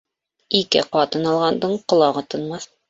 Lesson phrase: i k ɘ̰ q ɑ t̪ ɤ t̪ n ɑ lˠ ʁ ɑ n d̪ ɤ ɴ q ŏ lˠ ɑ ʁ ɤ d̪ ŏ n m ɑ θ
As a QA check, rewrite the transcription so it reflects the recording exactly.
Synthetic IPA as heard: i k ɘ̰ q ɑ t̪ ɤ n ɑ lˠ ʁ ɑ n d̪ ɤ ɴ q ŏ lˠ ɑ ʁ ɤ t̪ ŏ n m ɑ θ